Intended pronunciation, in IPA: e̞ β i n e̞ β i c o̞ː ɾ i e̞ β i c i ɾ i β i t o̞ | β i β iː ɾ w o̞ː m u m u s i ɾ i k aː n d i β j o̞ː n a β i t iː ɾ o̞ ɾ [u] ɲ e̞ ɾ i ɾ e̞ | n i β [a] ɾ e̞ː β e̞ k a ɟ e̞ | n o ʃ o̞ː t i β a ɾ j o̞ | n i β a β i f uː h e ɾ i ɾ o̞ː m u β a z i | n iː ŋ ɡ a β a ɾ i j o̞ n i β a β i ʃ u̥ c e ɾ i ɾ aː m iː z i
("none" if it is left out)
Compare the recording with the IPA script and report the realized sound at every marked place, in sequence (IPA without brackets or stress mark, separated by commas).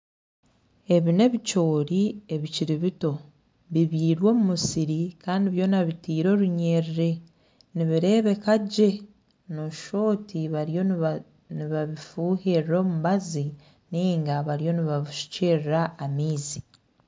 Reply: u, i